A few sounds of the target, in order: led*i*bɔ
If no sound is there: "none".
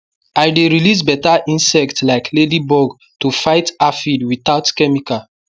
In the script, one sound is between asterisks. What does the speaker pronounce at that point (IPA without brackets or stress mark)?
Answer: i